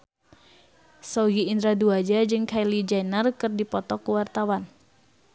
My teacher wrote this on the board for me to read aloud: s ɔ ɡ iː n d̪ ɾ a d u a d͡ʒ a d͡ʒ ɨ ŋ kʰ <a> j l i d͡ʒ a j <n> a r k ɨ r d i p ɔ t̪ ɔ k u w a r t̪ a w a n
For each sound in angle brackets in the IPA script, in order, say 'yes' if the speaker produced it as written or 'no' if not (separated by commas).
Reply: yes, yes